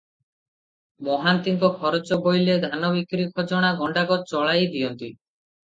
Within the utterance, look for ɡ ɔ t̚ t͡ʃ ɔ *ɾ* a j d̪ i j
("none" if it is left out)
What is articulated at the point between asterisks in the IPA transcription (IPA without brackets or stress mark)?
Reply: ɭ